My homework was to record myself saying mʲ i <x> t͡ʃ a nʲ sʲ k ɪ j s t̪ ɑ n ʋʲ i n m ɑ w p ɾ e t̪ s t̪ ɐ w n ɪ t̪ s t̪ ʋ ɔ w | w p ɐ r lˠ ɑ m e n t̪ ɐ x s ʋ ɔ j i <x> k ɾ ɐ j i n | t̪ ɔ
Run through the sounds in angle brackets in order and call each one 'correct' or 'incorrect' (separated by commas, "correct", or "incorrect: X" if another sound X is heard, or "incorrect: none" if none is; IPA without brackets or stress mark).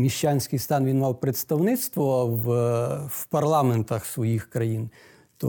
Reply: incorrect: ʃ, correct